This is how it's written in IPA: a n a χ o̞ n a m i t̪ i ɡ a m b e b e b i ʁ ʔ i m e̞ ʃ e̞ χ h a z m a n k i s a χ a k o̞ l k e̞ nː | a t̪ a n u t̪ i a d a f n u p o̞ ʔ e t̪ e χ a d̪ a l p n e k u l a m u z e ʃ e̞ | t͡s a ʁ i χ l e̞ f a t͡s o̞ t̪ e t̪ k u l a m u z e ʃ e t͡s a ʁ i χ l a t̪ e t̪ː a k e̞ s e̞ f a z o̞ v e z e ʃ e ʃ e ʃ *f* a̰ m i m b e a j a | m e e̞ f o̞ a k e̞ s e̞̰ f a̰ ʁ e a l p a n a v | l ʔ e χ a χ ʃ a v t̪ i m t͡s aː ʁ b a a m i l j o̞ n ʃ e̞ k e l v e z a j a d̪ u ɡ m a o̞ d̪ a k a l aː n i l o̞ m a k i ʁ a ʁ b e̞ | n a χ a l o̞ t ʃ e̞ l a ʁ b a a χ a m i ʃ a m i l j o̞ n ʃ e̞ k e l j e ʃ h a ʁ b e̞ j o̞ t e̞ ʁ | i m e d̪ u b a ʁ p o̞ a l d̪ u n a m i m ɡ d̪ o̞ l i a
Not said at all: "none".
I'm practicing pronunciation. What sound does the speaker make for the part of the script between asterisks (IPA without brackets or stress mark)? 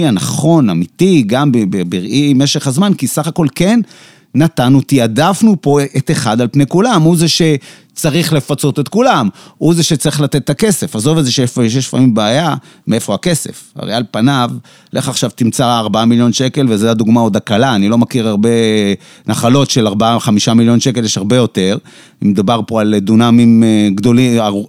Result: f